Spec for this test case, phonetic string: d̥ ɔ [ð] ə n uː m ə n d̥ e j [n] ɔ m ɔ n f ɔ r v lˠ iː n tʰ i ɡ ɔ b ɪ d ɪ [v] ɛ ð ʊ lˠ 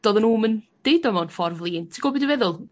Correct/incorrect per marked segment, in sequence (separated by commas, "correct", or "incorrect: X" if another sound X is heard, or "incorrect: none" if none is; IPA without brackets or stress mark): correct, incorrect: d, correct